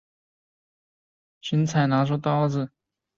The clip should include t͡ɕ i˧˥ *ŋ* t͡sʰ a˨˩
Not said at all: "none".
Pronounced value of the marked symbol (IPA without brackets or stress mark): n